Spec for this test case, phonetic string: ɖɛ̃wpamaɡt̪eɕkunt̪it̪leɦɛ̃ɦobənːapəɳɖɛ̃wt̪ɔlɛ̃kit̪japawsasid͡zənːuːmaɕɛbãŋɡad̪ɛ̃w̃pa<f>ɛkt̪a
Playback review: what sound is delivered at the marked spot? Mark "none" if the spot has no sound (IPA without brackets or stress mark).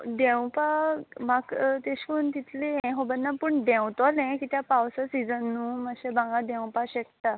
ɕ